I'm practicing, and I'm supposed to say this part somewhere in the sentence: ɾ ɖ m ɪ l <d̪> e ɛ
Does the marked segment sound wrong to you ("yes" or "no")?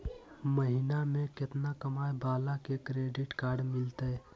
yes